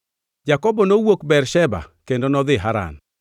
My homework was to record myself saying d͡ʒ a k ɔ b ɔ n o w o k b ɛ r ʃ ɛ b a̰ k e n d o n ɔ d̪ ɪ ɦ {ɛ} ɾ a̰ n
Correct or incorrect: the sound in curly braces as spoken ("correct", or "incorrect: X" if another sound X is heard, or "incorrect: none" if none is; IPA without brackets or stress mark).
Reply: incorrect: a